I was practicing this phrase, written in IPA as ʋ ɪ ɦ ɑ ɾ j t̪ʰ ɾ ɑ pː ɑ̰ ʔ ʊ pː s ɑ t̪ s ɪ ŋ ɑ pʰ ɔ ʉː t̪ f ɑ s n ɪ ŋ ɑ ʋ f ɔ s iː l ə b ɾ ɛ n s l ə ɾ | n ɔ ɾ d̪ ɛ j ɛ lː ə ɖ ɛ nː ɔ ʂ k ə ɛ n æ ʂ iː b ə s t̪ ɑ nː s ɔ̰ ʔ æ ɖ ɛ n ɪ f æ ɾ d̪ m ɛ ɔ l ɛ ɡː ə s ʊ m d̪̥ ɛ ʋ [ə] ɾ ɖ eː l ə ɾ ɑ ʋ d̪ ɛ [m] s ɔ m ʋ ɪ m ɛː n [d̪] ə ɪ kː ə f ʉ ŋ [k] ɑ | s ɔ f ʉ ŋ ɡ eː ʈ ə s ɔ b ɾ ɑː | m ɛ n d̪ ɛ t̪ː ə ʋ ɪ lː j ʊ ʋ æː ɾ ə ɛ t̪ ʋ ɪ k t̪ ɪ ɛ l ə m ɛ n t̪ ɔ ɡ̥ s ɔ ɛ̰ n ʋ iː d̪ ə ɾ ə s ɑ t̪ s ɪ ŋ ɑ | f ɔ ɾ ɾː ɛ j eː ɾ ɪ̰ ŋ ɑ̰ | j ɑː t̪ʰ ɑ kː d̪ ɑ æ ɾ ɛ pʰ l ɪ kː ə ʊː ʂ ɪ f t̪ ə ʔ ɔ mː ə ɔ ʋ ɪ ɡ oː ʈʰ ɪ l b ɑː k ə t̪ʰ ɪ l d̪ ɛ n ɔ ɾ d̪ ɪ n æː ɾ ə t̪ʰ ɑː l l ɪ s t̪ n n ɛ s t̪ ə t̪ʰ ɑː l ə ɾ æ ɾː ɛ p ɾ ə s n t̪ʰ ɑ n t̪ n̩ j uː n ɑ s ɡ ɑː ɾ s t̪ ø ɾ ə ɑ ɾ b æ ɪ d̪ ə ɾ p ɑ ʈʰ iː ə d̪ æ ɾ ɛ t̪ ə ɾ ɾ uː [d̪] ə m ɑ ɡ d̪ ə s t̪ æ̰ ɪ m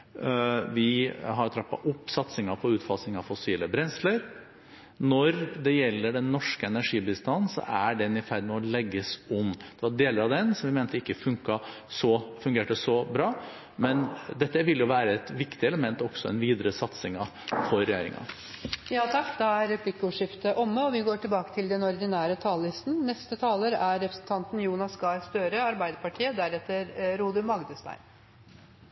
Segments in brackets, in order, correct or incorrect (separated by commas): incorrect, incorrect, incorrect, correct, correct